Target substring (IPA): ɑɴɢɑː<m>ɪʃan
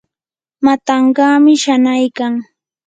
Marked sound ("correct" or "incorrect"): correct